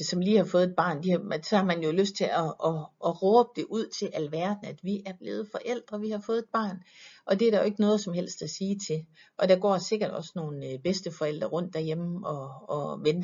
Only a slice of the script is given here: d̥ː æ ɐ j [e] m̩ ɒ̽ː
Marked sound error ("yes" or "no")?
no